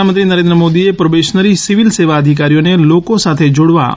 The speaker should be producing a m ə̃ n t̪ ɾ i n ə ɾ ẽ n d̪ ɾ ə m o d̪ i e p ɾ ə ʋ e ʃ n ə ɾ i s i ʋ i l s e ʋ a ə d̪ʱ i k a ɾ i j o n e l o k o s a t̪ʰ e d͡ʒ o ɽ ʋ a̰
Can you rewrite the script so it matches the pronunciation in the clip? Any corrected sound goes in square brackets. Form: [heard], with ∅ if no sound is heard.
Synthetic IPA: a m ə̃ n t̪ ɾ i n ə ɾ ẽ n d̪ ɾ ə m o d̪ i e p ɾ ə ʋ e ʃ n ə ɾ i s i ʋ i l s e ʋ a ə d̪ʱ i k a ɾ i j o n e l o k o s a t̪ʰ e d͡ʒ o ɽ ʋ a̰